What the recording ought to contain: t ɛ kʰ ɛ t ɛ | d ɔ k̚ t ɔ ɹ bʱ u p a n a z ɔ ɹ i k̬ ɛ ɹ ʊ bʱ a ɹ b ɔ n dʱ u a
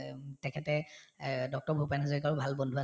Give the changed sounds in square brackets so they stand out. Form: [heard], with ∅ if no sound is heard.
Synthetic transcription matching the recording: t ɛ kʰ ɛ t ɛ | d ɔ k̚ t ɔ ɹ bʱ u p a n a z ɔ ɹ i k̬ [a] ɹ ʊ bʱ a [l] b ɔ n dʱ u a